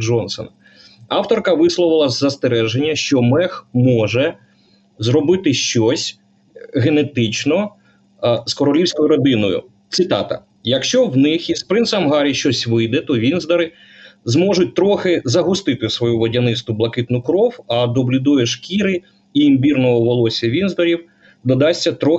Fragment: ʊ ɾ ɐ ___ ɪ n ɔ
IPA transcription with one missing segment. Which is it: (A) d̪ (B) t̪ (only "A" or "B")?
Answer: A